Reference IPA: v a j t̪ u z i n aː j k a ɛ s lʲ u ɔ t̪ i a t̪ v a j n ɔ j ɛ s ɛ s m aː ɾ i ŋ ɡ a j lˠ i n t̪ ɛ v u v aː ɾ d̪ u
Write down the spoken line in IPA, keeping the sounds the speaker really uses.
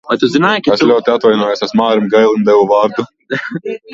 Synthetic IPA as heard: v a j t̪ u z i n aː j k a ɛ s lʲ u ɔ t̪ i a t̪ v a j n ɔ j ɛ s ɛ s m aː ɾ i m ɡ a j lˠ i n d̪ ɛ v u v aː ɾ d̪ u